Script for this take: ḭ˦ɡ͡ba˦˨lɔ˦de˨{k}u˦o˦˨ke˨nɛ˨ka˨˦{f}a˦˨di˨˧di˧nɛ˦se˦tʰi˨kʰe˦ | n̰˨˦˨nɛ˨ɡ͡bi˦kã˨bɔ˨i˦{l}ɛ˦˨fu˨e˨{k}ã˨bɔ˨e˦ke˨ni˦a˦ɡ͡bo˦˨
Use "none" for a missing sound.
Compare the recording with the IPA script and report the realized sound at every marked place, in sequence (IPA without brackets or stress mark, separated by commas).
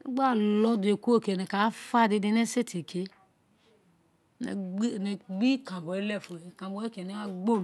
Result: k, f, l, k